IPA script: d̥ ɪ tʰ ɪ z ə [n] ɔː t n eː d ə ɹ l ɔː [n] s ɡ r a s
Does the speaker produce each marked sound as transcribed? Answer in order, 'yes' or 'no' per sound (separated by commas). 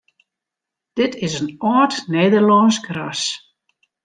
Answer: yes, yes